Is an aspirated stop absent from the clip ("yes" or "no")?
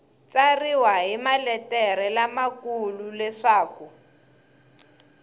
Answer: yes